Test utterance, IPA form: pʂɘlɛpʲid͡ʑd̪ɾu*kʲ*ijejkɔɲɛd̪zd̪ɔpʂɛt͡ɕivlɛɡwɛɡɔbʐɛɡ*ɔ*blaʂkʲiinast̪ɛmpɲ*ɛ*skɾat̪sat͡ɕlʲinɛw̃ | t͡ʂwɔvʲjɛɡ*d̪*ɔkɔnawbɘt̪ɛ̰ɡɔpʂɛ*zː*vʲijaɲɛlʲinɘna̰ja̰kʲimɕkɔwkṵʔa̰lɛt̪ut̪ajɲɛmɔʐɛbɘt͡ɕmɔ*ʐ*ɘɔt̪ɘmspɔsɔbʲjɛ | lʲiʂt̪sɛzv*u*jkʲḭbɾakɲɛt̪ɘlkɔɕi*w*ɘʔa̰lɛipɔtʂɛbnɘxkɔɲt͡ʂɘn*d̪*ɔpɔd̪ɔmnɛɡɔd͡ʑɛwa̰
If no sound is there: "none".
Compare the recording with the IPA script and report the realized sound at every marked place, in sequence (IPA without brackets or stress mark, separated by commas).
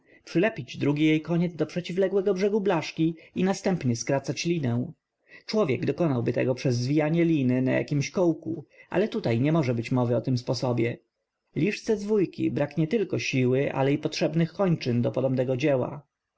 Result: ɡʲ, u, ɛ, d̪, zː, v, u, w, d̪